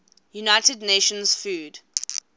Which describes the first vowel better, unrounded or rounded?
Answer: rounded